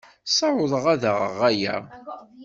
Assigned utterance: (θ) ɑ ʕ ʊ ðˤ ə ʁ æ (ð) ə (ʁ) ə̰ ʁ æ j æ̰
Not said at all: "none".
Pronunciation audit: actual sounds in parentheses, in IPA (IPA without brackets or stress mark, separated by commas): s, ð, ʁ